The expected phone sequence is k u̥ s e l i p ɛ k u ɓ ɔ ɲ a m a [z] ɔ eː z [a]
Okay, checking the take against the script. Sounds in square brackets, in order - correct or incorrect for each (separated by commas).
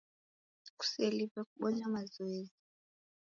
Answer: correct, incorrect